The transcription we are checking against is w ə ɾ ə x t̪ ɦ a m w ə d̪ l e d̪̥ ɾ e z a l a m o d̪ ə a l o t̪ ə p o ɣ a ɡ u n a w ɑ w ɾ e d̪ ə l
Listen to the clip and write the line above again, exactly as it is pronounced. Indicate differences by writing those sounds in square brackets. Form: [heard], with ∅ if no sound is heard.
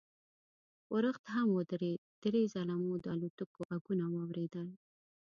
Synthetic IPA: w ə ɾ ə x t̪ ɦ a m w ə d̪ [ɾ] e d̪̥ ɾ e z a l a m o d̪ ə a l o t̪ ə [k] o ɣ a ɡ u n a w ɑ w ɾ e d̪ ə l